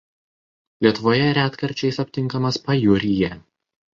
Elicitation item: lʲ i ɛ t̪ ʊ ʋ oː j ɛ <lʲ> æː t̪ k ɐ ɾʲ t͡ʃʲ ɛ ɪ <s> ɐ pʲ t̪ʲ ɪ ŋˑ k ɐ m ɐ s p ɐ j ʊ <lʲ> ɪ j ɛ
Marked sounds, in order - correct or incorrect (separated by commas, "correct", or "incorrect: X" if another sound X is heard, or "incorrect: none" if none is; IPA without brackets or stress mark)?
incorrect: ɾʲ, correct, incorrect: ɾʲ